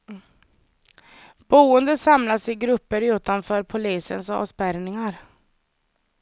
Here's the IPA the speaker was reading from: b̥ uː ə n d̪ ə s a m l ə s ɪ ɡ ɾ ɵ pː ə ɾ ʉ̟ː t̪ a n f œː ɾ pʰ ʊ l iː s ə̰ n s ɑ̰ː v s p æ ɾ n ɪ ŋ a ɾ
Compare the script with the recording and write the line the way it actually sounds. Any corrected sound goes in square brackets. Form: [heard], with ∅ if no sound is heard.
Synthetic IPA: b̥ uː ə n d̪ ə s a m l [a] s ɪ ɡ ɾ ɵ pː ə ɾ ʉ̟ː t̪ a n f œː ɾ pʰ ʊ l iː s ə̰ n s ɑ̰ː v s p æ ɾ n ɪ ŋ a ɾ